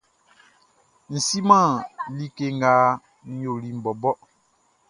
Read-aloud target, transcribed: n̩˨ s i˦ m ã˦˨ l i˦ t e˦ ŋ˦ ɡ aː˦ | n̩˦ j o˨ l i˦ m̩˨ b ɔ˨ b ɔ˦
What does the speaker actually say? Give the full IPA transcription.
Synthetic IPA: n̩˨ s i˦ m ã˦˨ l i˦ k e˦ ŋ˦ ɡ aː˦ | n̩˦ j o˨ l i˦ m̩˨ b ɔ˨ b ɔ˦

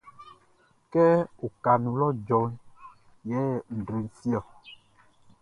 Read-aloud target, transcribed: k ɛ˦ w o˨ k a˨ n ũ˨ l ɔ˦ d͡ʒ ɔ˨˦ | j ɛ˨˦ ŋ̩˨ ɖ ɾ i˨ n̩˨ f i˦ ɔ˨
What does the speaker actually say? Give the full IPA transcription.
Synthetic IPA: k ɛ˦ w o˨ k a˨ n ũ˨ l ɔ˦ d͡ʒ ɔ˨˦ | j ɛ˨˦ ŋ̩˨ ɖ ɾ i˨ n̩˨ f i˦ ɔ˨

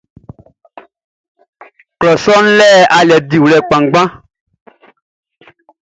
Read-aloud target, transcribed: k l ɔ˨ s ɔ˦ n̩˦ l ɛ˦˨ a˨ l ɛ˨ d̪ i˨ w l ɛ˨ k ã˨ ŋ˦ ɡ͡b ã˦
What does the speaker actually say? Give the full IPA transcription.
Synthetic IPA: k l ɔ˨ s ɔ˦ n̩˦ l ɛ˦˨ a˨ l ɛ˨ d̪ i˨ w l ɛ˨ k͡p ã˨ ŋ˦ ɡ͡b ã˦

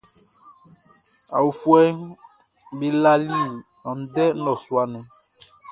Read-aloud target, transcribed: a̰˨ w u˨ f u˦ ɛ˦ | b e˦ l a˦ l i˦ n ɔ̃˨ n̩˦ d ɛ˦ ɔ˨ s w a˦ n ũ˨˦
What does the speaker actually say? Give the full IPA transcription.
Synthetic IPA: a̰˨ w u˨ f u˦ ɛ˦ | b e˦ l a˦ l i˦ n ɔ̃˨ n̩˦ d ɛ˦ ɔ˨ s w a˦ n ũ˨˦

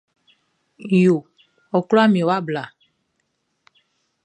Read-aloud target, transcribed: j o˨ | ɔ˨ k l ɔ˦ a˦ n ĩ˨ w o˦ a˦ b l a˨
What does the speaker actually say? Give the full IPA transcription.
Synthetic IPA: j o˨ | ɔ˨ k l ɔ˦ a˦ m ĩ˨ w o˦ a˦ b l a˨

